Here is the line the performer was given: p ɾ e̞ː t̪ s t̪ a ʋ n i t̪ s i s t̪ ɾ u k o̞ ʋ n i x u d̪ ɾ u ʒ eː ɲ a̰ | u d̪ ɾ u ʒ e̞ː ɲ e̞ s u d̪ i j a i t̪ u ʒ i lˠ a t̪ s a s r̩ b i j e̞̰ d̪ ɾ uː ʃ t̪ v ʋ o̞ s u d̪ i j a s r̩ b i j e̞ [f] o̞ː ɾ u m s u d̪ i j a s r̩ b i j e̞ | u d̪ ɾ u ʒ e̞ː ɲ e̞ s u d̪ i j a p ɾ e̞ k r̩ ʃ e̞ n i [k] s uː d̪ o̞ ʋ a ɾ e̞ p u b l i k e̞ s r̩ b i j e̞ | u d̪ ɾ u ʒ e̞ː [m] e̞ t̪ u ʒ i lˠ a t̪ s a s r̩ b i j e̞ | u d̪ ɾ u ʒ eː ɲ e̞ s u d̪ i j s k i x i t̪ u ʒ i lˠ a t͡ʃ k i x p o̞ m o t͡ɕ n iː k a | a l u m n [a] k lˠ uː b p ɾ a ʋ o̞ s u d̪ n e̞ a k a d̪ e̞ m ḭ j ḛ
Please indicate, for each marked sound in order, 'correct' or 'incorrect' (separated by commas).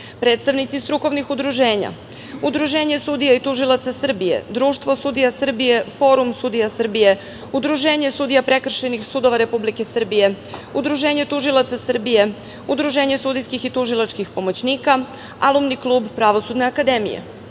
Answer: correct, incorrect, incorrect, incorrect